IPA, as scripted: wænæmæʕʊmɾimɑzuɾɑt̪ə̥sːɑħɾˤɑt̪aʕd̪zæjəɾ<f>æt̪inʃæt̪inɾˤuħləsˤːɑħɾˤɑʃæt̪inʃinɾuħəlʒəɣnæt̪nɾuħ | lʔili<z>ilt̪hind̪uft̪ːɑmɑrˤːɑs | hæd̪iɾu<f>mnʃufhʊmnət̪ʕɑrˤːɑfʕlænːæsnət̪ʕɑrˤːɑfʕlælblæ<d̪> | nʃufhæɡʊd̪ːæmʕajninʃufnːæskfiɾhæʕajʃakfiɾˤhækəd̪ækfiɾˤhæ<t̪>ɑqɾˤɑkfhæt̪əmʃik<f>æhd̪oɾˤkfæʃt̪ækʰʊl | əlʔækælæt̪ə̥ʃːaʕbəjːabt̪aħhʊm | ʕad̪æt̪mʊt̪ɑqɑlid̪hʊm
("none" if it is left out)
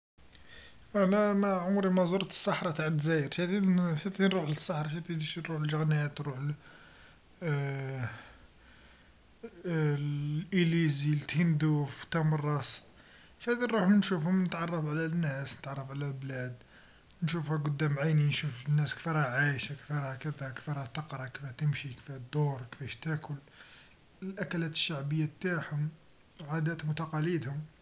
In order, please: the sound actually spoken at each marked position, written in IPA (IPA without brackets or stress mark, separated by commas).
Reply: ʃ, z, ħ, d̪, t̪, f